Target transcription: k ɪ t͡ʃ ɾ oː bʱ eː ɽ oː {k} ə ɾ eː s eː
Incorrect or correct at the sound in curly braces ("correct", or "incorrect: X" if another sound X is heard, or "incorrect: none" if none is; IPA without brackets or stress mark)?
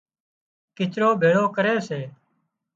correct